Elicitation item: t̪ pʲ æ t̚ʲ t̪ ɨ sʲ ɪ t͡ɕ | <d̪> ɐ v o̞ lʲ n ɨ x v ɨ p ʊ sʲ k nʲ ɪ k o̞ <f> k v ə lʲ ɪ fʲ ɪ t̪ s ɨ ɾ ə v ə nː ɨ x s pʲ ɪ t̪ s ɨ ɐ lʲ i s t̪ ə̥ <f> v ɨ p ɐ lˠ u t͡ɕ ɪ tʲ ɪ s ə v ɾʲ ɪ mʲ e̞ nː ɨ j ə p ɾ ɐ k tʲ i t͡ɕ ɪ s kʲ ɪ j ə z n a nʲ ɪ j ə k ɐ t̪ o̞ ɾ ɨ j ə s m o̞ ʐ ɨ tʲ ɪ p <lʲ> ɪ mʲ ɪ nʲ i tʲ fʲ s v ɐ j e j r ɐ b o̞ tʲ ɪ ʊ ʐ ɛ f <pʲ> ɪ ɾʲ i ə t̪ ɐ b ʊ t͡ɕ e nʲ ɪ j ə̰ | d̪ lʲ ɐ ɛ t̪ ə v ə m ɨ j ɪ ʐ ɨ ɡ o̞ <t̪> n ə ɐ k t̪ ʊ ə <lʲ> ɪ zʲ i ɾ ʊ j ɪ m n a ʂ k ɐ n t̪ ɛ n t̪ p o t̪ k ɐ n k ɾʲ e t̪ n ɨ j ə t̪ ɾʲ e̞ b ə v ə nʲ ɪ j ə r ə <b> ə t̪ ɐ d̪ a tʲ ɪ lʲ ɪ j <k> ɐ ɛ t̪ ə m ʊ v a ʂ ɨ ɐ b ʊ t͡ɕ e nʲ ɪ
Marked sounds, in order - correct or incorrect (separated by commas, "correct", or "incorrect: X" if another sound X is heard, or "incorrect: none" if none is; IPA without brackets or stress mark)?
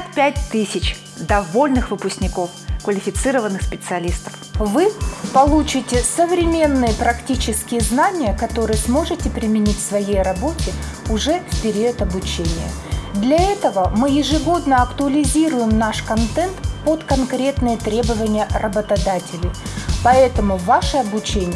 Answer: correct, correct, correct, incorrect: ɾʲ, correct, incorrect: d̪, correct, correct, incorrect: p